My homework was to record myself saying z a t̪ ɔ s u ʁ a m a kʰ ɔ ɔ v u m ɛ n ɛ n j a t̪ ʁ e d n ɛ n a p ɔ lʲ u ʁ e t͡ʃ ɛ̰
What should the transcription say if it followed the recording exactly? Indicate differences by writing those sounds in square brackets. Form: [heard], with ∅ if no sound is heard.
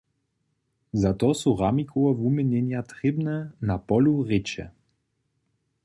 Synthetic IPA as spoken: z a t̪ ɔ s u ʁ a m [i] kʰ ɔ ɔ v u m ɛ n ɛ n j a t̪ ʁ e [b] n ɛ n a p ɔ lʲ u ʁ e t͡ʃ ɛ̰